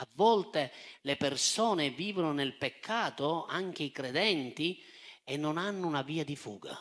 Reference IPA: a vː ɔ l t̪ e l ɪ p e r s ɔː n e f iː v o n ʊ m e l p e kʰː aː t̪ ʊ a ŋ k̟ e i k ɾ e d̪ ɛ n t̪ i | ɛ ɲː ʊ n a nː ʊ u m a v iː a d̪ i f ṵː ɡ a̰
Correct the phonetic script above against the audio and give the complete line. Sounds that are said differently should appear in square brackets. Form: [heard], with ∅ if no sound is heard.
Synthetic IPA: a vː ɔ l t̪ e l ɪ p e r s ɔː n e [v] iː v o n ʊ [n] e l p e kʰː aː t̪ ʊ a ŋ k̟ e i k ɾ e d̪ ɛ n t̪ i | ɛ [nː] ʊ n a nː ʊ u [n] a v iː a d̪ i f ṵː ɡ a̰